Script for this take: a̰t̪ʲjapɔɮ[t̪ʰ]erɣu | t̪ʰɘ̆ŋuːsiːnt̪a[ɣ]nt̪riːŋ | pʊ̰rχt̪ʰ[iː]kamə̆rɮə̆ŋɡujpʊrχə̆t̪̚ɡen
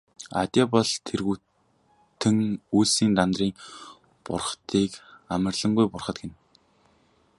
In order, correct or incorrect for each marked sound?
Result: correct, incorrect, correct

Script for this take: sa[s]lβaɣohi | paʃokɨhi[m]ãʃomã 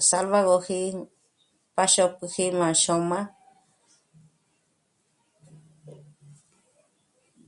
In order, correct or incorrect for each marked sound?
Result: incorrect, correct

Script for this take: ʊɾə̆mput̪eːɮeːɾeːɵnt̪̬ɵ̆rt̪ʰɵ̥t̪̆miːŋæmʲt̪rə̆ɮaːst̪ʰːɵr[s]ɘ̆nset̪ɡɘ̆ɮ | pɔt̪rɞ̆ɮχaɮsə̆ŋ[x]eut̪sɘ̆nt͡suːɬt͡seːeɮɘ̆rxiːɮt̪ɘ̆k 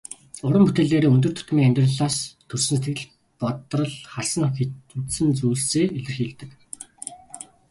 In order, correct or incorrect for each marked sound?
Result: correct, correct

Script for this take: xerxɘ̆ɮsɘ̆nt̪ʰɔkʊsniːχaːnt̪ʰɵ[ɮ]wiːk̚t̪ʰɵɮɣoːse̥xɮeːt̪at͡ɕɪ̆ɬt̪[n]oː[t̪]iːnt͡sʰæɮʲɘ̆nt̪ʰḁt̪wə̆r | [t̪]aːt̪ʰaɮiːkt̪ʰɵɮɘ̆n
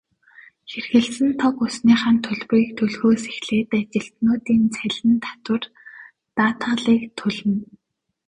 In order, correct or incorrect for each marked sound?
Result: correct, correct, correct, correct

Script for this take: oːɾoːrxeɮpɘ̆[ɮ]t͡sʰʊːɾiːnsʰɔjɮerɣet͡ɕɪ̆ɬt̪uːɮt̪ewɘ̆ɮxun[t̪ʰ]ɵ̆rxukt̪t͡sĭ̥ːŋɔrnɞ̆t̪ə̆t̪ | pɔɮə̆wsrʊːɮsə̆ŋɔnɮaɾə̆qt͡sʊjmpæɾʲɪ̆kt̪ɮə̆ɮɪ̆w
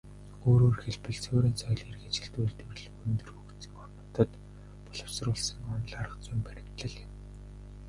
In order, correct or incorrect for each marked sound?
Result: correct, incorrect

